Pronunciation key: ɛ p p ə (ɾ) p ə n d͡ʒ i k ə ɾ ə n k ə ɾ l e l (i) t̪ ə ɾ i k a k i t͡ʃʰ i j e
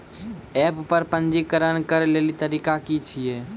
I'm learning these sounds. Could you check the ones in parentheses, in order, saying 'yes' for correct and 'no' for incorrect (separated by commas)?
yes, yes